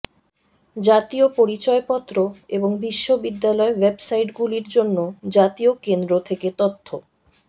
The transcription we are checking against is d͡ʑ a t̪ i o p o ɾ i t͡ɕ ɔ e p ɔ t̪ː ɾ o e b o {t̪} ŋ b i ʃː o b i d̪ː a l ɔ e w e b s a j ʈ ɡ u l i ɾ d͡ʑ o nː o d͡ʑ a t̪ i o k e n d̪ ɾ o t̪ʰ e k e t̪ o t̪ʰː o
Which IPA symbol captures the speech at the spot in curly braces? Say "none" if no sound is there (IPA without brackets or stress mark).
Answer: none